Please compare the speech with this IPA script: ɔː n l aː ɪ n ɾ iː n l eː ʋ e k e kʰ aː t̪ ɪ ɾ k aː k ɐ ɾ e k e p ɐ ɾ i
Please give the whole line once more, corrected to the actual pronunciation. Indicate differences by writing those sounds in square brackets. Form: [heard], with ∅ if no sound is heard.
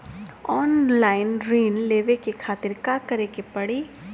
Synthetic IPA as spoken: ɔː n l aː ɪ n ɾ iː n l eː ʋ e k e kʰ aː t̪ ɪ ɾ k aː k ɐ ɾ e k e p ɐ [ɽ] i